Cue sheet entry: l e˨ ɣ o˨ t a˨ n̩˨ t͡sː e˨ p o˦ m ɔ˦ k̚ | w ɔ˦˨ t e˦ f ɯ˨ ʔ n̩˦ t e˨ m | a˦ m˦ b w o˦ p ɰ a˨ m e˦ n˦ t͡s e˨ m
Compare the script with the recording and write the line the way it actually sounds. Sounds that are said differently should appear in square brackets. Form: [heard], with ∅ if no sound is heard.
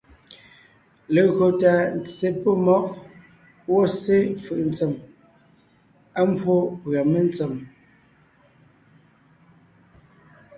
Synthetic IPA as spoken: l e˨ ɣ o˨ t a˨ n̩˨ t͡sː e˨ p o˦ m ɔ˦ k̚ | w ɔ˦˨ [s] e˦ f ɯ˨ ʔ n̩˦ [t͡s] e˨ m | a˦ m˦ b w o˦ p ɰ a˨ m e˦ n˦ t͡s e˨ m